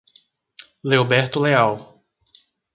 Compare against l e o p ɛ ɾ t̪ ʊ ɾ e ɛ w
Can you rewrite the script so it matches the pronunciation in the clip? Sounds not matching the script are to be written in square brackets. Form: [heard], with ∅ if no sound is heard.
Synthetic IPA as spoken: l e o [b] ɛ ɾ t̪ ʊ [l] e [a] w